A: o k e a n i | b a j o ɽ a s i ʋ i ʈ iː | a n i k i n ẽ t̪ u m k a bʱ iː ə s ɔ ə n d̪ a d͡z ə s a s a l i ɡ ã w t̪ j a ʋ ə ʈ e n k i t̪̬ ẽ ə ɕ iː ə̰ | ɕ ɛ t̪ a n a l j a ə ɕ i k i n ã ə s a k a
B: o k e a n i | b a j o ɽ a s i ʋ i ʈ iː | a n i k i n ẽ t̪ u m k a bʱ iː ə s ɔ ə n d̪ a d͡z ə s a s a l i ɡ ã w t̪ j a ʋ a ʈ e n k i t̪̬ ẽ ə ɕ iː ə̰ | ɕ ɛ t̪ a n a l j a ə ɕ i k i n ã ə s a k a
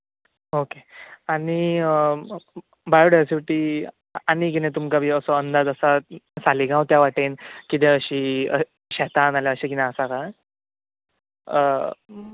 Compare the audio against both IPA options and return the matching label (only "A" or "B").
B